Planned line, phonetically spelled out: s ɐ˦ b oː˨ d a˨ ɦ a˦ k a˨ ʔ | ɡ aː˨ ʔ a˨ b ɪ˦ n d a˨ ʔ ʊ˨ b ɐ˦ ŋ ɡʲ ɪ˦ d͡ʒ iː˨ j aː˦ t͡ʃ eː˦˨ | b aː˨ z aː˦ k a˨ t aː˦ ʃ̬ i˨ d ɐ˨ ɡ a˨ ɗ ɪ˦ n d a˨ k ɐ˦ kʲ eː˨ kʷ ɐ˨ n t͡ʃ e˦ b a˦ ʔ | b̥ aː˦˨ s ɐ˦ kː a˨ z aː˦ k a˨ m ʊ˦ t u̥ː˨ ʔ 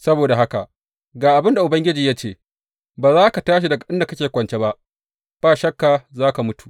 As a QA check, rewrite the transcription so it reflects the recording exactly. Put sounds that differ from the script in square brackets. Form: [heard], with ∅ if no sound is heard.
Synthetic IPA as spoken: s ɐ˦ b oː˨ d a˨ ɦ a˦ k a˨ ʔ | ɡ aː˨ ʔ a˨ b ɪ˦ n d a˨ ʔ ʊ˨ b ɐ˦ ŋ ɡʲ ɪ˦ d͡ʒ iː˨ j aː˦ t͡ʃ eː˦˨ | b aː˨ z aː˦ k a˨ t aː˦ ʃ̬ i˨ d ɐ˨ ɡ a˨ ɗ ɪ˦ n d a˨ k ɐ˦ kʲ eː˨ kʷ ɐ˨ n t͡ʃ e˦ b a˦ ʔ | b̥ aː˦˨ [ʃ] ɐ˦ kː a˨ z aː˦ k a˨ m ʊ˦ t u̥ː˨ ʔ